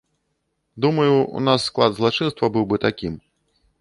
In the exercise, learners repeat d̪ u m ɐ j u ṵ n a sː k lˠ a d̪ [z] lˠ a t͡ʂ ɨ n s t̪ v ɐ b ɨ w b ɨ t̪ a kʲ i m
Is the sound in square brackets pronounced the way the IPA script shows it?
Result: yes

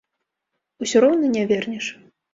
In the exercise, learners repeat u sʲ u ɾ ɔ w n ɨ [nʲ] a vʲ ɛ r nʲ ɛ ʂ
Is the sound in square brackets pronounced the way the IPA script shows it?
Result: yes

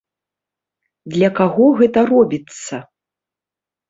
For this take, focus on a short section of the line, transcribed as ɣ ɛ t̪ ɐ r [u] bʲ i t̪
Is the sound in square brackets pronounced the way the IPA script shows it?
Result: no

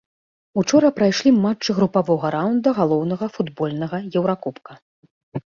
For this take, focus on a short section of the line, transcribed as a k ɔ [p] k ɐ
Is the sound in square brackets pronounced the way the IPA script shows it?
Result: yes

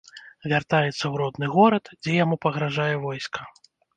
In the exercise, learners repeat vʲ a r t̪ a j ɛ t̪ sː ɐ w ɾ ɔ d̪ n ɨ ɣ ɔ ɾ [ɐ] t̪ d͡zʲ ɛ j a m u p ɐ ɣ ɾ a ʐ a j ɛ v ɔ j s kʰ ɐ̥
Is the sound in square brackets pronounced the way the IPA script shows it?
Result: yes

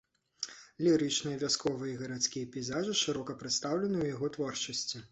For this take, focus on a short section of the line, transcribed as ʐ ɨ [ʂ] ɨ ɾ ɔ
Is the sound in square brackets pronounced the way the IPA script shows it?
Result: yes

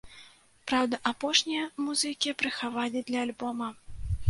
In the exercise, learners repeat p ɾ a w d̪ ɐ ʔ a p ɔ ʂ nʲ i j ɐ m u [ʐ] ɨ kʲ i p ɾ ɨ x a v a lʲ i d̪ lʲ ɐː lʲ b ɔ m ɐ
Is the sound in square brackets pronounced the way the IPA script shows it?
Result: no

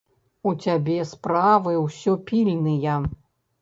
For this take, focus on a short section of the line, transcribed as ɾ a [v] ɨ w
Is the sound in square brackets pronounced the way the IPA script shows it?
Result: yes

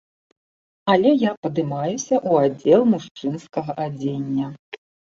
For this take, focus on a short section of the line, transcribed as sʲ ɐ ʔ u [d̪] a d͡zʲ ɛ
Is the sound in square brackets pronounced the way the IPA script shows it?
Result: no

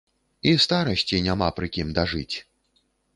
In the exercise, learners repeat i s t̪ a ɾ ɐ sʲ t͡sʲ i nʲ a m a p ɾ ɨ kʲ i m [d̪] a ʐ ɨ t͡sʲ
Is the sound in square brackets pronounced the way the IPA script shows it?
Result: yes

